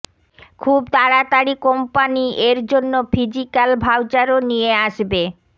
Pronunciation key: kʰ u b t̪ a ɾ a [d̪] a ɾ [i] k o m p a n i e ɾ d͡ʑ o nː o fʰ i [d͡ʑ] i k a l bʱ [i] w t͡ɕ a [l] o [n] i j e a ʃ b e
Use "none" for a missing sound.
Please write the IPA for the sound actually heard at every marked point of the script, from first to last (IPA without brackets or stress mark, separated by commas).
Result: t̪, i, d͡ʑ, a, ɾ, n